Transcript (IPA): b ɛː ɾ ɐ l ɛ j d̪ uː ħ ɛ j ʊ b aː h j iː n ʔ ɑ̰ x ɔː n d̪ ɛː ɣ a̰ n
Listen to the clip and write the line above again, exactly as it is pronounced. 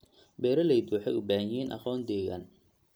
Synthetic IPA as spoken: b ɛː ɾ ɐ l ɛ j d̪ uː ħ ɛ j ʊ b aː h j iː n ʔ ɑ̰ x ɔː n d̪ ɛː ɣ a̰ n